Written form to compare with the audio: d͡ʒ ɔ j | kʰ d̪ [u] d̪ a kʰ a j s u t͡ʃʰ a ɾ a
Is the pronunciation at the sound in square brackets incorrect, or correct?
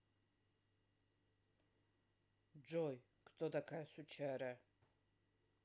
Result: incorrect